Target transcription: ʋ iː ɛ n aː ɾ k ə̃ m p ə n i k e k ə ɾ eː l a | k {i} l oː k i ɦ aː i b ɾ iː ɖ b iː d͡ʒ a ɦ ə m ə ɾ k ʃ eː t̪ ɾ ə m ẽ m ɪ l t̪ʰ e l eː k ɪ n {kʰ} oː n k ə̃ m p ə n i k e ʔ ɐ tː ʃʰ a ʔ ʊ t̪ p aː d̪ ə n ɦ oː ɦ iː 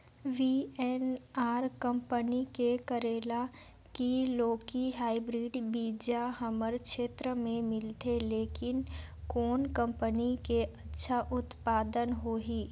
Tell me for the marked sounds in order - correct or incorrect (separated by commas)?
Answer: correct, incorrect